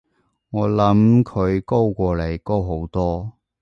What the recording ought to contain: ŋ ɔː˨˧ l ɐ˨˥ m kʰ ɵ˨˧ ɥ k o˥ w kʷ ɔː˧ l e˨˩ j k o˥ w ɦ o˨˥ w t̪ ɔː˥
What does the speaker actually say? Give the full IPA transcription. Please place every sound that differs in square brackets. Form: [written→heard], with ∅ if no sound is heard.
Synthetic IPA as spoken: ŋ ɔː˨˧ l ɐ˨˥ m kʰ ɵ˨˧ ɥ k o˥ w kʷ ɔː˧ l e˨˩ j k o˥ w ɦ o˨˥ w t̪ ɔː˥